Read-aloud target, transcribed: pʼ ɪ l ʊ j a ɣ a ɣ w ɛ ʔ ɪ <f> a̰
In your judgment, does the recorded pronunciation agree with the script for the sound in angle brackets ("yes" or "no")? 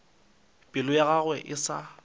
no